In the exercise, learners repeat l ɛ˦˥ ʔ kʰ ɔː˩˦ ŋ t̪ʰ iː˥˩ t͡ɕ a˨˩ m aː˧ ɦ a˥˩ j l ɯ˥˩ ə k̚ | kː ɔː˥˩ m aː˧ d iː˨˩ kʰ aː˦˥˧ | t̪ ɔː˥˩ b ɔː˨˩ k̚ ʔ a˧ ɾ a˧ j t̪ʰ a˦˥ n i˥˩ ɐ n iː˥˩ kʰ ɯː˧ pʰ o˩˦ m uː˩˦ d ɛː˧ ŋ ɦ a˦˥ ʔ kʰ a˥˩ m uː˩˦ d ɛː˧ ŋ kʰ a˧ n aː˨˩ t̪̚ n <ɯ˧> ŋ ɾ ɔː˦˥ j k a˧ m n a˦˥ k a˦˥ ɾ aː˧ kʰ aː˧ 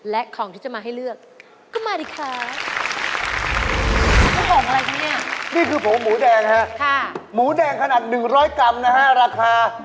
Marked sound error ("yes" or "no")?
yes